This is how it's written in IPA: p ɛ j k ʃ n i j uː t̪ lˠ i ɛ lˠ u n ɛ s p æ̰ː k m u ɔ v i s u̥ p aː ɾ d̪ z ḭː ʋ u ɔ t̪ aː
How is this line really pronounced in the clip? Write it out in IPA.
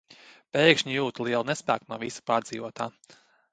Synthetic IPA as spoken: p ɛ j k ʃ ɲ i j uː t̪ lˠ i ɛ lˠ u n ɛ s p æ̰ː k n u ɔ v i s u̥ p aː ɾ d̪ z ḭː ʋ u ɔ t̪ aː